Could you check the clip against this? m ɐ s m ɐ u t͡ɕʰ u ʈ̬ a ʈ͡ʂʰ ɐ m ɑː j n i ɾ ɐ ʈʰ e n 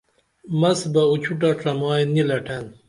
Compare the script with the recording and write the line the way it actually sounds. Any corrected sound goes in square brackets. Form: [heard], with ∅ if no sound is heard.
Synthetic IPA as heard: m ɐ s [b] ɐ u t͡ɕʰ u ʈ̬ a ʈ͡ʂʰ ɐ m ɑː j n i [l] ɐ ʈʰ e n

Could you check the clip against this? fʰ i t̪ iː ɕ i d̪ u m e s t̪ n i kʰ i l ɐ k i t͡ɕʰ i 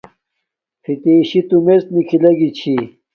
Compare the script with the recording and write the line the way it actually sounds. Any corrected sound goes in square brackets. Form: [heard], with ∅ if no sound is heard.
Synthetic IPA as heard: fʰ i t̪ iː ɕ i [t̪] u m e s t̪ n i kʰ i l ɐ [ɡ] i t͡ɕʰ i

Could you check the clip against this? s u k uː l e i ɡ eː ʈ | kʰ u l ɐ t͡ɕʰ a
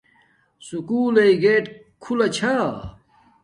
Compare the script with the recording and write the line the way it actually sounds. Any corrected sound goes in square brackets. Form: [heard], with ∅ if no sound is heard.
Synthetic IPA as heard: s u k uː l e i ɡ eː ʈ | kʰ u l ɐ t͡ɕʰ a

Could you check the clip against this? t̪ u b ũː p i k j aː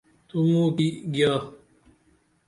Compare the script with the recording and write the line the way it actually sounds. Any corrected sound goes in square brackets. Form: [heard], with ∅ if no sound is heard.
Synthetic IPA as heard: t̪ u [m] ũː [k] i [ɡ] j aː

